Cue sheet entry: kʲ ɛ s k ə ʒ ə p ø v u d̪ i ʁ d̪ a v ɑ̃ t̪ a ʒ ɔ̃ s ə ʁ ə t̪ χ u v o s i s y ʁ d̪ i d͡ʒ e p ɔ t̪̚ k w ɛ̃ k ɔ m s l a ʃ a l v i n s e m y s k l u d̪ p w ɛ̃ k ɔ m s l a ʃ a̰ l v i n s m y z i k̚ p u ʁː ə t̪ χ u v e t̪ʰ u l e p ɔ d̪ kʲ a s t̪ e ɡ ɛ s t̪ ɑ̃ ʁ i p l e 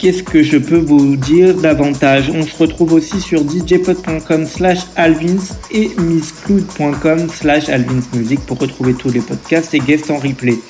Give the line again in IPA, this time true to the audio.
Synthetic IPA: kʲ ɛ s k ə ʒ ə p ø v u d̪ i ʁ d̪ a v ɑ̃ t̪ a ʒ ɔ̃ s ə ʁ ə t̪ χ u v o s i s y ʁ d̪ i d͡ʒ e p ɔ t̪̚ p w ɛ̃ k ɔ m s l a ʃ a l v i n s e m i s k l u d̪ p w ɛ̃ k ɔ m s l a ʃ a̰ l v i n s m y z i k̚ p u ʁː ə t̪ χ u v e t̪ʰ u l e p ɔ d̪ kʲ a s t̪ e ɡ ɛ s t̪ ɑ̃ ʁ i p l e